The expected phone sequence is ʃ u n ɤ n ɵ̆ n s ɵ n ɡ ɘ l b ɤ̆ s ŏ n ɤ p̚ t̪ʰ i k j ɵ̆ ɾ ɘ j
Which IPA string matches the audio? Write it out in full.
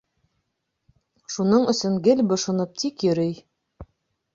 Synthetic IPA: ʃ u n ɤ ɴ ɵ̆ s ɵ ŋ ɡ ɘ l b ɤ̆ ʃ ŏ n ɤ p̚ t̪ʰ i k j ɵ̆ ɾ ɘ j